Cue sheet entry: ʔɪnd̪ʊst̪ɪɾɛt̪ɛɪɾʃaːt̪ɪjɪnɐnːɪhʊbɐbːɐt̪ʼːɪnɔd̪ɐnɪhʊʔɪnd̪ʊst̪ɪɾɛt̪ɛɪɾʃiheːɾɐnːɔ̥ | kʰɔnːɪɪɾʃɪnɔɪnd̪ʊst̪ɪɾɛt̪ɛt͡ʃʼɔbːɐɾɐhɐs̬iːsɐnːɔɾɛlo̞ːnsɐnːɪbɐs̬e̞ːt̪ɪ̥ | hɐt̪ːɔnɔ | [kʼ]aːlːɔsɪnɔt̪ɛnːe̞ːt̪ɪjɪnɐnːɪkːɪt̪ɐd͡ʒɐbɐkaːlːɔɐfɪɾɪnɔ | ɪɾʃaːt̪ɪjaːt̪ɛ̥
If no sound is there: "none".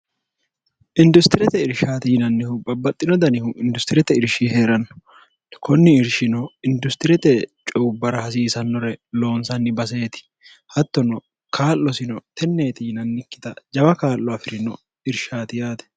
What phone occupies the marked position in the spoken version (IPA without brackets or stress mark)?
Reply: k